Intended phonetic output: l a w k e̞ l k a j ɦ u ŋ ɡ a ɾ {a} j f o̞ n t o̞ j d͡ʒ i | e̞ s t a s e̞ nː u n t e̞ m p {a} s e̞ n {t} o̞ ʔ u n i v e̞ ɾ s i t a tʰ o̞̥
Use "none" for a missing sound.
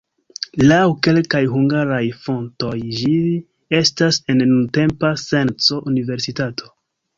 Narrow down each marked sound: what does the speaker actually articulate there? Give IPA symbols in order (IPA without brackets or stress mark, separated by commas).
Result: a, a, t͡s